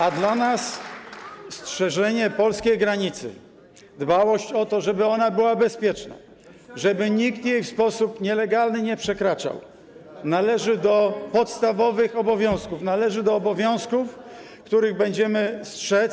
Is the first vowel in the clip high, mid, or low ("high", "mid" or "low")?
low